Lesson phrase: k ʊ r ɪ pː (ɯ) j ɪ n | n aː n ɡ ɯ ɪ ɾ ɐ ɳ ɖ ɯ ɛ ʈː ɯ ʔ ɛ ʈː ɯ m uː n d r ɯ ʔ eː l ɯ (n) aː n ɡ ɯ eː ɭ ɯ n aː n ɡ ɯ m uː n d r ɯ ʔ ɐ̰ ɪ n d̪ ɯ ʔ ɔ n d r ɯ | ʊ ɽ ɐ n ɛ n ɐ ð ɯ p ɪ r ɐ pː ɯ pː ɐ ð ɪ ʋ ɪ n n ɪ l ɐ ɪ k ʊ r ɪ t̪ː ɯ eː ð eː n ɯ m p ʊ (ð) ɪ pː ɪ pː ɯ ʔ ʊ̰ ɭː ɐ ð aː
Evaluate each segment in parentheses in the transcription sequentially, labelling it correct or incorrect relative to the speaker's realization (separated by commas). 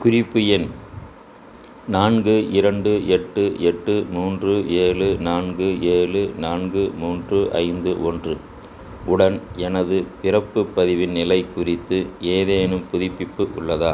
correct, correct, correct